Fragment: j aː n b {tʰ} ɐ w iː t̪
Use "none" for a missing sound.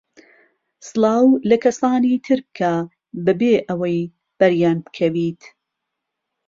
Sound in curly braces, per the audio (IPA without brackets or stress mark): kʰ